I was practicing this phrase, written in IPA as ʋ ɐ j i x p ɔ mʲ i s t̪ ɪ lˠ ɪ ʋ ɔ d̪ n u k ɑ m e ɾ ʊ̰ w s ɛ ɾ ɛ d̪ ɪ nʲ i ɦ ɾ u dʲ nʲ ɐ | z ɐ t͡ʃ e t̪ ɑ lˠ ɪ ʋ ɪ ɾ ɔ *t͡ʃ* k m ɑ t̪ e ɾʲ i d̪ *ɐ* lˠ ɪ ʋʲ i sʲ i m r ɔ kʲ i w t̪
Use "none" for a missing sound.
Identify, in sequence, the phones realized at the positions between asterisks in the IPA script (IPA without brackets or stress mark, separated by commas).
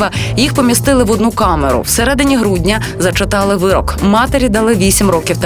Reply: none, ɐ